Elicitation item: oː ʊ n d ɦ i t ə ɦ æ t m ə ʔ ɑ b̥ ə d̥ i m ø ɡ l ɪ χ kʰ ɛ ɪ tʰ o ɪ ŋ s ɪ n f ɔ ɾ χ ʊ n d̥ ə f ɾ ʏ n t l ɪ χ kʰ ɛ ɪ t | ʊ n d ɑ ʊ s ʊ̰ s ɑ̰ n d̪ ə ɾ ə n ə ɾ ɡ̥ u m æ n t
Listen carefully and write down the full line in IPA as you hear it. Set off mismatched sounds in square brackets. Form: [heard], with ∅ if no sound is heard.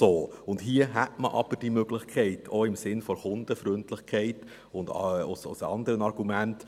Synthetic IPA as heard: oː ʊ n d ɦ i [∅] ə ɦ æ t m ə ʔ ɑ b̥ ə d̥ i m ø ɡ l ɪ χ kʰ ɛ ɪ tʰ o ɪ [m] s ɪ n f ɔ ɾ χ ʊ n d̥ ə f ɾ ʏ n t l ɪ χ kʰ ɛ ɪ t | ʊ n d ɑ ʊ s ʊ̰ s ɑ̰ n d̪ ə ɾ ə n [ɑ] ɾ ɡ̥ u m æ n t